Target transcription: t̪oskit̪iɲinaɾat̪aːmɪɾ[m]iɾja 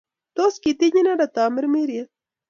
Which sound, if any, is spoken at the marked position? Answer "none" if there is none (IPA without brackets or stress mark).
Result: m